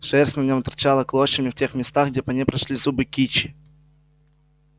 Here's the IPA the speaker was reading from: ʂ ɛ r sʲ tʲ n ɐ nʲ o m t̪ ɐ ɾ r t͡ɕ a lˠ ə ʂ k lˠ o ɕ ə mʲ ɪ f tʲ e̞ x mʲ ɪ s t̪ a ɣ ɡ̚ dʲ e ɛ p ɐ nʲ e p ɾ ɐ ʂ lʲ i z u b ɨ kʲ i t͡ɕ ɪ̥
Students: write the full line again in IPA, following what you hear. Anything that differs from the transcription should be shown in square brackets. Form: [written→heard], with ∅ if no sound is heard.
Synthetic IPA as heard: ʂ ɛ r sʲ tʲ n ɐ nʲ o m t̪ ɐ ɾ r t͡ɕ a lˠ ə [ʂ→∅] k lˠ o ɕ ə mʲ ɪ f tʲ e̞ x mʲ ɪ s t̪ a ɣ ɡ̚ dʲ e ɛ p ɐ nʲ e p ɾ ɐ ʂ lʲ i z u b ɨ kʲ i t͡ɕ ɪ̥